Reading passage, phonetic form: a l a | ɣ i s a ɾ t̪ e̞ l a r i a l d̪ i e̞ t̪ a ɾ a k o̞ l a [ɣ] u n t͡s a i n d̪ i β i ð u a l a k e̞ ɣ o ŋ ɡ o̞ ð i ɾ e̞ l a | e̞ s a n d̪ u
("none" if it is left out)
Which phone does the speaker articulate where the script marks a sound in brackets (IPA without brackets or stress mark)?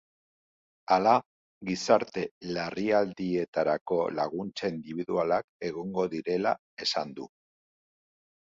ɣ